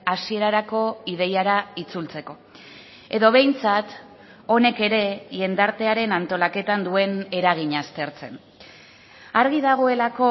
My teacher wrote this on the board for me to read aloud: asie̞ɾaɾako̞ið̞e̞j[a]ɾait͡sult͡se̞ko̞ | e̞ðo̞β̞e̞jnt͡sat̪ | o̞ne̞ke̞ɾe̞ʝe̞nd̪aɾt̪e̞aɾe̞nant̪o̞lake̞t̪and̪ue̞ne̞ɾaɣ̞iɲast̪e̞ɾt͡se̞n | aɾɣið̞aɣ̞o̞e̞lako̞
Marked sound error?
no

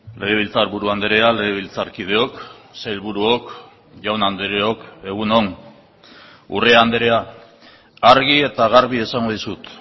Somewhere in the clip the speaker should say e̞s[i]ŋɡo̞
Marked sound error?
yes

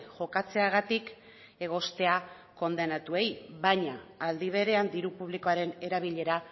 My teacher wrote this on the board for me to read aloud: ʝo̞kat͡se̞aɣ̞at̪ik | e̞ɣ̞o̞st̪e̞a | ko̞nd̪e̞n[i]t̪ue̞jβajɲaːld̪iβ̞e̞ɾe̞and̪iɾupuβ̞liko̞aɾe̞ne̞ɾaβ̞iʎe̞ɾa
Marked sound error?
yes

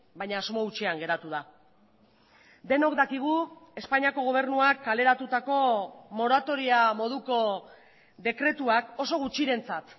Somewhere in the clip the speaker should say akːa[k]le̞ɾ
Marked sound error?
yes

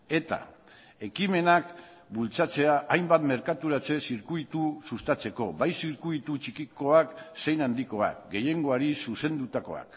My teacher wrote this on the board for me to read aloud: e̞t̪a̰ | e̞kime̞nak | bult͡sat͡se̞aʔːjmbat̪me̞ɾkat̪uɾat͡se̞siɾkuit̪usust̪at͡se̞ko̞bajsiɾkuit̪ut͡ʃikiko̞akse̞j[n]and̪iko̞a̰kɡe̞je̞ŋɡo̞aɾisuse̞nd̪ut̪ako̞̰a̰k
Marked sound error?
no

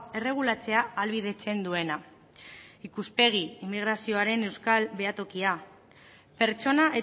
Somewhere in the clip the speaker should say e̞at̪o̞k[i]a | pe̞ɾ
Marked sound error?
no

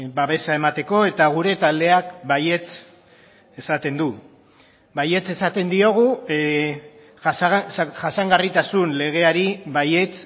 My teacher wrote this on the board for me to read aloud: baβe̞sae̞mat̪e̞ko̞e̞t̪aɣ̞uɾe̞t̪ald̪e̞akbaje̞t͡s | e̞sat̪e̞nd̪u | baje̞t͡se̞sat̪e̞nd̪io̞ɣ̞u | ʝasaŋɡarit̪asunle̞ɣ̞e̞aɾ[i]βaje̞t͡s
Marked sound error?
no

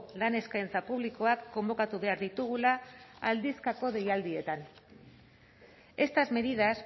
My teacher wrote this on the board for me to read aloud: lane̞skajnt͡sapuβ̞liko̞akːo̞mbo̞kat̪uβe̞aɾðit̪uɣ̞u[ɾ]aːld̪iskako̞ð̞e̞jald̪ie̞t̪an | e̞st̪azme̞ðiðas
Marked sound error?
yes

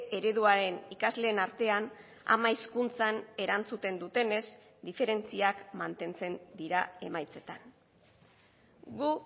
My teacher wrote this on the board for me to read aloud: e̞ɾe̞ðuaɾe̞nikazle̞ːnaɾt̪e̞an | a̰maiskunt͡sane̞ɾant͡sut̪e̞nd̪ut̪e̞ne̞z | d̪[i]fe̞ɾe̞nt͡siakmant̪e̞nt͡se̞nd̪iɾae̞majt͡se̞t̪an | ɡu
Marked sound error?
no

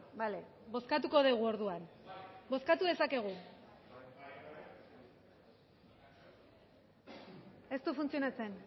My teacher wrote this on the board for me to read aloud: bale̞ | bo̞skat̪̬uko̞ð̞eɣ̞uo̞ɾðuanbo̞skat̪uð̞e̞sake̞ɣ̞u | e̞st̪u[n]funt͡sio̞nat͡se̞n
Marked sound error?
yes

